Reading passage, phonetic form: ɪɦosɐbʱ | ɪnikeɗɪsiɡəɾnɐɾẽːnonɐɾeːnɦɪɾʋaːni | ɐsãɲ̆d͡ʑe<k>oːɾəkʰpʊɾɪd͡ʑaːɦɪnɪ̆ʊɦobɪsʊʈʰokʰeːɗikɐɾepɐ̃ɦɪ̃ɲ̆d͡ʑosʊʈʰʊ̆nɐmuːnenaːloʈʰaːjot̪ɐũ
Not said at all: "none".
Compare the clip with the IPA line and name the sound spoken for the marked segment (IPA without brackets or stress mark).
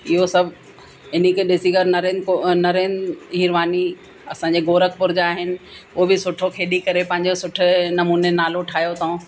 ɡ